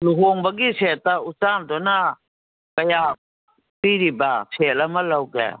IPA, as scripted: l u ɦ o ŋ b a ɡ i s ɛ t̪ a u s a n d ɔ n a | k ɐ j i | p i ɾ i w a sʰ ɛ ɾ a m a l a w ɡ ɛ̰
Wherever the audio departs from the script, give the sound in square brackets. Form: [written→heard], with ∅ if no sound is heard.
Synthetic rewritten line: l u ɦ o ŋ b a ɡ i s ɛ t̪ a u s a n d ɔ n a | k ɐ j [i→a] | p i ɾ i [w→b] a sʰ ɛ [ɾ→l] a m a l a w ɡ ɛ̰